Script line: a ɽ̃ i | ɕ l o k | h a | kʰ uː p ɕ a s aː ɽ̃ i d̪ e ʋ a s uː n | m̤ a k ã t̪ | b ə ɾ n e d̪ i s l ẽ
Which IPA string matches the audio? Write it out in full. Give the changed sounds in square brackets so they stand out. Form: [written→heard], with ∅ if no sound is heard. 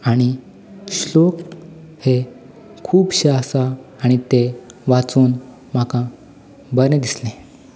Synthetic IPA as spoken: a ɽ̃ i | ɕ l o k | h [a→e] | kʰ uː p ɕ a s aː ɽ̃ i [d̪→t̪] e ʋ a [s→t͡s] uː n | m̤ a k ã [t̪→∅] | b ə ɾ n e d̪ i s l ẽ